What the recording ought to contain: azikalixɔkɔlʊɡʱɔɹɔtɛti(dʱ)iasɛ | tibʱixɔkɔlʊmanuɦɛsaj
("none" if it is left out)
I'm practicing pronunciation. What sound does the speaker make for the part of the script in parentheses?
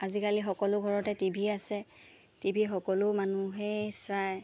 bʱ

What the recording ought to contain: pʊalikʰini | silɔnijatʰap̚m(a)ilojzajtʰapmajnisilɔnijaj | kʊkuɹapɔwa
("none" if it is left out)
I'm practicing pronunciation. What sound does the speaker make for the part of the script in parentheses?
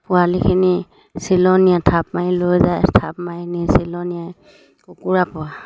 a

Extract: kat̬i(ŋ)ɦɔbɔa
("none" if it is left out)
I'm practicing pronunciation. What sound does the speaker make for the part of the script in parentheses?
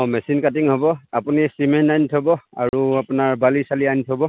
ŋ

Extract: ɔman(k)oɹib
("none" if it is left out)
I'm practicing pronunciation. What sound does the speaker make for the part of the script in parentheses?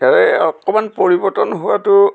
p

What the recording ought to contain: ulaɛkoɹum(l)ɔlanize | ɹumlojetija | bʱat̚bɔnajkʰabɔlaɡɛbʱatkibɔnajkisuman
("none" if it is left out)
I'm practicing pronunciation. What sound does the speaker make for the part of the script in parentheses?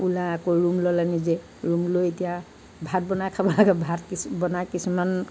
l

